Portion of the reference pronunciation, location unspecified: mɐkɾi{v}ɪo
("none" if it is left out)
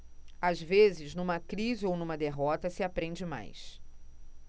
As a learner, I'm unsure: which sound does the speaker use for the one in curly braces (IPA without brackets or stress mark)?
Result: z